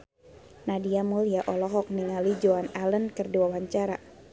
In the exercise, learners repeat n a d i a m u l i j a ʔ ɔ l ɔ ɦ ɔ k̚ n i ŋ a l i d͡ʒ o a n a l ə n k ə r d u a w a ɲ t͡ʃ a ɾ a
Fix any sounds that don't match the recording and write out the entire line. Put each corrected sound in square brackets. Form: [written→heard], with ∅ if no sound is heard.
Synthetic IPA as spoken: n a d i a m u l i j a ʔ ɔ l ɔ ɦ ɔ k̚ n i ŋ a l i d͡ʒ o a n a l ə n k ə r d u a w a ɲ t͡ʃ a ɾ a